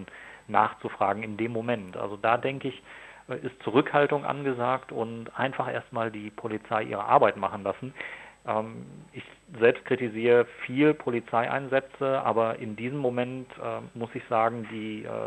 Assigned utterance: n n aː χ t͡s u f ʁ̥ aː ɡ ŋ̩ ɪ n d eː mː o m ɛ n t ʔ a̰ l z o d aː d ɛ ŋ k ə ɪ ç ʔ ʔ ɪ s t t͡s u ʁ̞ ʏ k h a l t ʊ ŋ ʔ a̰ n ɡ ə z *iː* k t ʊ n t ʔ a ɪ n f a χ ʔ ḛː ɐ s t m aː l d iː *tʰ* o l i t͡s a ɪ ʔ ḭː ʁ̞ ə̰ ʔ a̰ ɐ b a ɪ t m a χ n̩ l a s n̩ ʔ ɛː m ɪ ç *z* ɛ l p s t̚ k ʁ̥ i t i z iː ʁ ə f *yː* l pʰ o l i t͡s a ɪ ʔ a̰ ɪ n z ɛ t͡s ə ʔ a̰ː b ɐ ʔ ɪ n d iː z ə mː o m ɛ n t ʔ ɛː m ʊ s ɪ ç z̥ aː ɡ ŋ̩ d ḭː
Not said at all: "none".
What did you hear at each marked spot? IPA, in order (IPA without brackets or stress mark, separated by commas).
aː, pʰ, z, iː